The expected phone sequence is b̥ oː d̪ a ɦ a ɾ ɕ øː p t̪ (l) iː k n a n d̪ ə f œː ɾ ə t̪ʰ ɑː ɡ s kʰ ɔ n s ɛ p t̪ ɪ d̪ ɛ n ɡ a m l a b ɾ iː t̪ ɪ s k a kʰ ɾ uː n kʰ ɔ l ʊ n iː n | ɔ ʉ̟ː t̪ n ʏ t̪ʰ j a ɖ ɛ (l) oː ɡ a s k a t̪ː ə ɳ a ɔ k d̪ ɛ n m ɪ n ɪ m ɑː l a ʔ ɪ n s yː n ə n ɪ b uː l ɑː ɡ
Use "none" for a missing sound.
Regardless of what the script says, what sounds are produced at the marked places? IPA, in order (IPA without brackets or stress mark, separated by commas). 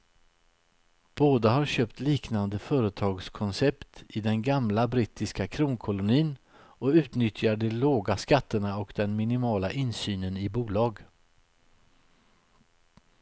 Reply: l, l